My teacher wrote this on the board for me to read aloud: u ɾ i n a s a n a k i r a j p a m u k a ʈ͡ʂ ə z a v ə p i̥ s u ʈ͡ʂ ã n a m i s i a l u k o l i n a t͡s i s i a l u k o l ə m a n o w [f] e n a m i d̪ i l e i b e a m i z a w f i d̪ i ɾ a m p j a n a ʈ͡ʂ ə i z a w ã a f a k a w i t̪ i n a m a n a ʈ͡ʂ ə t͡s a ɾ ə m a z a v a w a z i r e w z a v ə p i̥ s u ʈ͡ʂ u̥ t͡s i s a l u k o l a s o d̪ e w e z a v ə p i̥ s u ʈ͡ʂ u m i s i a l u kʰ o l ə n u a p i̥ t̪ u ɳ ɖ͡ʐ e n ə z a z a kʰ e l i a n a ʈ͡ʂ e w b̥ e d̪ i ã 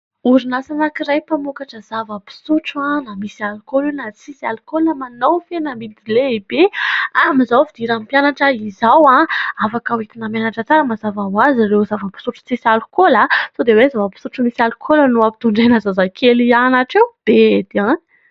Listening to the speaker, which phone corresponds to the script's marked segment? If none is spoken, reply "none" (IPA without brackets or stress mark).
f